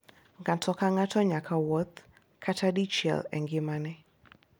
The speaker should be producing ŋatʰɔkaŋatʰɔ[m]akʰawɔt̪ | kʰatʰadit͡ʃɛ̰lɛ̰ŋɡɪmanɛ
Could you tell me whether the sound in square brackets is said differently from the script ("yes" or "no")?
yes